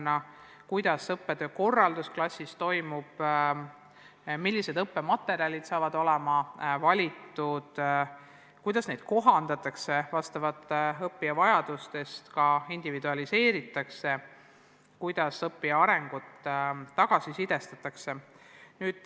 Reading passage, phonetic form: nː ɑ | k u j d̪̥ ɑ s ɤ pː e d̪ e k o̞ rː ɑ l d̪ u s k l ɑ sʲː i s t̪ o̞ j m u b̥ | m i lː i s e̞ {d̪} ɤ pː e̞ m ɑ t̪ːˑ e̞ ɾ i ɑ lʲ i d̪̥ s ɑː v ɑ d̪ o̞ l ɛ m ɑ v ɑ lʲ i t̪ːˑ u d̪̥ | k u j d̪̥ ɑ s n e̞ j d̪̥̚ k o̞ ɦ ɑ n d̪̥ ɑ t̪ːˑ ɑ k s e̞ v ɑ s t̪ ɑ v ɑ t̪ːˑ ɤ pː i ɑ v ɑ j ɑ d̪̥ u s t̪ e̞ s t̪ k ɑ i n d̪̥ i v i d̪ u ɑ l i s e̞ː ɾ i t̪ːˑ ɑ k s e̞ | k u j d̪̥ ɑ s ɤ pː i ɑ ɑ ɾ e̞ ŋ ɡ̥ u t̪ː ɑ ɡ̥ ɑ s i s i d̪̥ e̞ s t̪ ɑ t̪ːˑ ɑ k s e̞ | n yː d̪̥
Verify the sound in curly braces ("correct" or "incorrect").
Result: correct